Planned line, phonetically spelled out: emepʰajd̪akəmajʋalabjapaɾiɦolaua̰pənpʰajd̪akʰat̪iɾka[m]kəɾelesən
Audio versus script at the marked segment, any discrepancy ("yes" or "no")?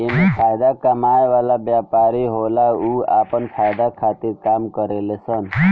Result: no